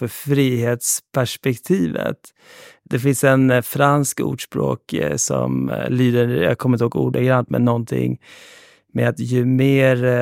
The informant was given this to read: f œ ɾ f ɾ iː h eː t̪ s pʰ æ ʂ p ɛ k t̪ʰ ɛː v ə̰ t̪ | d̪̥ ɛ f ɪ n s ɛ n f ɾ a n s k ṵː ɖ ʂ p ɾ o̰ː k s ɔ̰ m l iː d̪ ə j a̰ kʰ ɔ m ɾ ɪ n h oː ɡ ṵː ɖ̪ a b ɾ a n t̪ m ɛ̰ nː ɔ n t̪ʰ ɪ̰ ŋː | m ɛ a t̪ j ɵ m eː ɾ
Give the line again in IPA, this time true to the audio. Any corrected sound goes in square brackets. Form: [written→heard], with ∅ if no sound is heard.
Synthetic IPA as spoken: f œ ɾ f ɾ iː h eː t̪ s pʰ æ ʂ p ɛ k t̪ʰ [ɛː→iː] v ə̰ t̪ | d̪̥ ɛ f ɪ n s ɛ n f ɾ a n s k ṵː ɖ ʂ p ɾ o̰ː k s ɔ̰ m l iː d̪ ə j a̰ kʰ ɔ m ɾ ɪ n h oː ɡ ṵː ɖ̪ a [b→ɡ] ɾ a n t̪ m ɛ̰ nː ɔ n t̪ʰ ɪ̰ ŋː | m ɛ a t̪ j ɵ m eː ɾ